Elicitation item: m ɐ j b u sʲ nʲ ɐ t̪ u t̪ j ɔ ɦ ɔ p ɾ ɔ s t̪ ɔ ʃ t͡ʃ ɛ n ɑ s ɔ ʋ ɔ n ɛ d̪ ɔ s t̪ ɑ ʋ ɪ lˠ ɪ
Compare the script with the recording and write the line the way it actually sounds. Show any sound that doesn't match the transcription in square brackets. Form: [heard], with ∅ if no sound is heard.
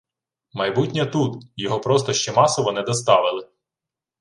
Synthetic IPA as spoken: m ɐ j b u [tʲ] nʲ ɐ t̪ u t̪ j ɔ ɦ ɔ p ɾ ɔ s t̪ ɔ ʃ t͡ʃ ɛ [m] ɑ s ɔ ʋ ɔ n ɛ d̪ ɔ s t̪ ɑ ʋ ɪ lˠ ɪ